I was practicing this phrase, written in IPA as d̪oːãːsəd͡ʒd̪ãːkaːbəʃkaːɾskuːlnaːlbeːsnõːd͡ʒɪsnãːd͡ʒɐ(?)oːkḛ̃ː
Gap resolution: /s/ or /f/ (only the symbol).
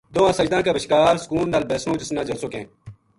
s